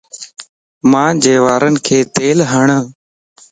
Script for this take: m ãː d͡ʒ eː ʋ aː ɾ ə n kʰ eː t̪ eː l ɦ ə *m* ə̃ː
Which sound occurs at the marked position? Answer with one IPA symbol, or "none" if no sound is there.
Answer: ɳ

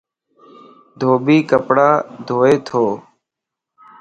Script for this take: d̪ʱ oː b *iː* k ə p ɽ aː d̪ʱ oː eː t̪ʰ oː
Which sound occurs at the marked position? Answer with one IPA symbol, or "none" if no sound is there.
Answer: iː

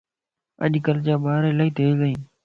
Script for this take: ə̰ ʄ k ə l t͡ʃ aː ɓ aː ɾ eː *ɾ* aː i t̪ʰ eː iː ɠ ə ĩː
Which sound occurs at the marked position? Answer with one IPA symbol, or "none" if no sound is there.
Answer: l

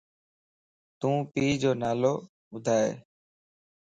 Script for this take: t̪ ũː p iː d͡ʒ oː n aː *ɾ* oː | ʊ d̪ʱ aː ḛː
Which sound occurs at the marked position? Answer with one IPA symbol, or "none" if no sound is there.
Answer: l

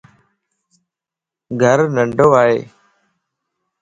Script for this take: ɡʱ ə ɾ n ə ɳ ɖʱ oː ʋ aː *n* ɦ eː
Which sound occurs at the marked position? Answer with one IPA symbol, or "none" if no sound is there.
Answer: none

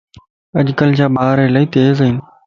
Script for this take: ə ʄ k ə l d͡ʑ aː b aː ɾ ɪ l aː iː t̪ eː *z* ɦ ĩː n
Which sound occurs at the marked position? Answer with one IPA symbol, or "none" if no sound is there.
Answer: z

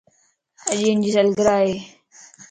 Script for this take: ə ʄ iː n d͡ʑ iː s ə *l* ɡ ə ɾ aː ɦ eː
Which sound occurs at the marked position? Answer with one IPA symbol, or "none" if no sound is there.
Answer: l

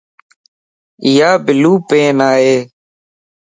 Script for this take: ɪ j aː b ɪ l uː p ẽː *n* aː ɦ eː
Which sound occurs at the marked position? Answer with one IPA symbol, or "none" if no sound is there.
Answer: n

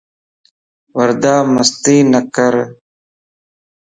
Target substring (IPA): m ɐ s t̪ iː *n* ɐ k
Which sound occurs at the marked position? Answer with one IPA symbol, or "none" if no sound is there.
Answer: n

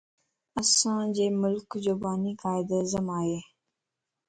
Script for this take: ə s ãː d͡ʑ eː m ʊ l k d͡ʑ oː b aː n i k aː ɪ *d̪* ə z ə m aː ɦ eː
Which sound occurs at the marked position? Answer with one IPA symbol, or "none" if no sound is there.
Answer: d̪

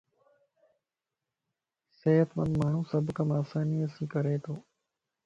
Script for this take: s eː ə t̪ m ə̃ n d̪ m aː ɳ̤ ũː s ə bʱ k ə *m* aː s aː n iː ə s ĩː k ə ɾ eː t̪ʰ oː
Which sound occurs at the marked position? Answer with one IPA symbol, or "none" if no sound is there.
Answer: m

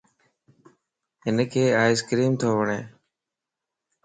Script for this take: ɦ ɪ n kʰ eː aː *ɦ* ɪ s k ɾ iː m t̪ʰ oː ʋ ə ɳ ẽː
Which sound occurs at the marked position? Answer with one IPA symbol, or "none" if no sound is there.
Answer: none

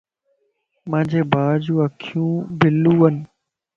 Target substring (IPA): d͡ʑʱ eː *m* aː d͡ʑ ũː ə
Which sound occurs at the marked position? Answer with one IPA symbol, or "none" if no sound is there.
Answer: b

